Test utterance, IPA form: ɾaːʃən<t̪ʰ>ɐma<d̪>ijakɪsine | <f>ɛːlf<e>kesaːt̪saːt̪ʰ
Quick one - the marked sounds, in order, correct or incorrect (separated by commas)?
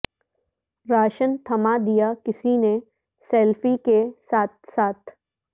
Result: correct, correct, incorrect, incorrect